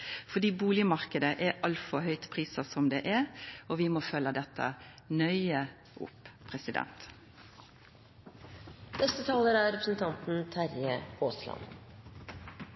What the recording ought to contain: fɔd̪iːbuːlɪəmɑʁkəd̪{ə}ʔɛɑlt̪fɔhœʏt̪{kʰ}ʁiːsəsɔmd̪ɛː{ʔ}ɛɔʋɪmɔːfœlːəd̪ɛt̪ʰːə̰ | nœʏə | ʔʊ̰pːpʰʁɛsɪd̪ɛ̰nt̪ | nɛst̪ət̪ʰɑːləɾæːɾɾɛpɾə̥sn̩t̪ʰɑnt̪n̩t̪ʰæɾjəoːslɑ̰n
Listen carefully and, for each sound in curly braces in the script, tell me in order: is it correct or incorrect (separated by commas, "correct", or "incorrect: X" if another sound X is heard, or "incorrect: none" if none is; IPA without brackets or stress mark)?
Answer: correct, incorrect: pʰ, correct